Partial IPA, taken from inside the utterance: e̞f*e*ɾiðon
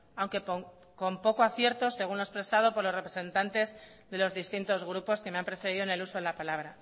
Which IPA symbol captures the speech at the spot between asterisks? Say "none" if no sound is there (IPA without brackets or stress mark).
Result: e